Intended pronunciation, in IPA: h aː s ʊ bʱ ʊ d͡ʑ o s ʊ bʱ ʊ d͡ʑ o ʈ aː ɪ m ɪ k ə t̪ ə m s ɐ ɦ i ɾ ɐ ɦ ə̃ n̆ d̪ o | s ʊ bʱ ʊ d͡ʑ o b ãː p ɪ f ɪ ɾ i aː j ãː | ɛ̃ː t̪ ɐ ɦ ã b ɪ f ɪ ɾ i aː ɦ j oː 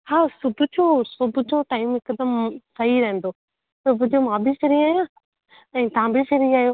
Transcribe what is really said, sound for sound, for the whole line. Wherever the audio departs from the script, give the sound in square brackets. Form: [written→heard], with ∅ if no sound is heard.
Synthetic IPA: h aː s ʊ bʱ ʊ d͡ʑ o s ʊ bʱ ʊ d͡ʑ o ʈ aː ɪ m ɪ k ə [t̪→d̪] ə m s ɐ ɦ i ɾ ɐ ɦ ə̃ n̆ d̪ o | s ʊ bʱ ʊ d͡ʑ o [b→m] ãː [p→b] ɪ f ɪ ɾ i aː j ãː | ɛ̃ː t̪ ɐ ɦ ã b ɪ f ɪ ɾ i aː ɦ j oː